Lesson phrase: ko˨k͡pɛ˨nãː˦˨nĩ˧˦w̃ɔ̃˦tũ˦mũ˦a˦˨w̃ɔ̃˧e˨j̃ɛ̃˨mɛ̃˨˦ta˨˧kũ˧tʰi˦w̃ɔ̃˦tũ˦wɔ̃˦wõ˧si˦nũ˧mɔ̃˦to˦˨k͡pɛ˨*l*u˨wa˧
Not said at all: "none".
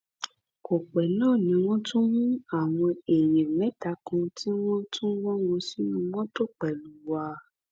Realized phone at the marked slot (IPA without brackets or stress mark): l